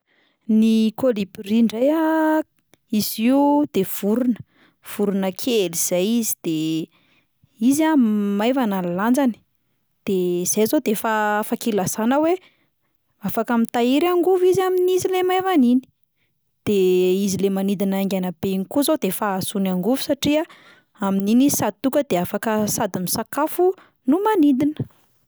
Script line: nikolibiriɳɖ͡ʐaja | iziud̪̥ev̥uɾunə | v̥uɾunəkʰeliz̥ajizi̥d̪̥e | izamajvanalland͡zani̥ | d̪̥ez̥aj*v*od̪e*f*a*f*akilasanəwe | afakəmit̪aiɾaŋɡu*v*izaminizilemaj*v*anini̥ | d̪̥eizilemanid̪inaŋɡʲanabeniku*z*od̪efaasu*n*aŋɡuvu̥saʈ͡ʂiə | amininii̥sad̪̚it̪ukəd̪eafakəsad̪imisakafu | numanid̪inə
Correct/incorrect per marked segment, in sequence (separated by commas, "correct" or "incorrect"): incorrect, correct, correct, correct, correct, correct, correct